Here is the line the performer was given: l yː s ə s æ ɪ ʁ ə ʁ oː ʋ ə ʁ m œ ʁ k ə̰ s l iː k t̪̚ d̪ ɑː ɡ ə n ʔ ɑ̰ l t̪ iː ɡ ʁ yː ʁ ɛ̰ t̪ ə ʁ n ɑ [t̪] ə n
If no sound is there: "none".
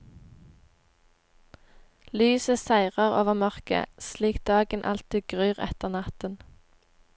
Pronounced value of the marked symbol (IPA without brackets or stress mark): t̪